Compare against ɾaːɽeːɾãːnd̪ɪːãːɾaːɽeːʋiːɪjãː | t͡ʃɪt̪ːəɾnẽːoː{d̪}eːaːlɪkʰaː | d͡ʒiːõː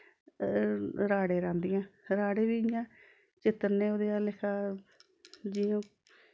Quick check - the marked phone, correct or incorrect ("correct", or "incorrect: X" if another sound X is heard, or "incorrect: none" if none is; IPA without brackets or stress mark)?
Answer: correct